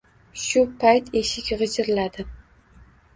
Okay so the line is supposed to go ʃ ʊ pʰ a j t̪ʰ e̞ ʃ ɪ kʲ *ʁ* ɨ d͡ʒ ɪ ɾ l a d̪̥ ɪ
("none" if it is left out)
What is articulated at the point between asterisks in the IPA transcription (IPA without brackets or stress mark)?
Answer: ʁ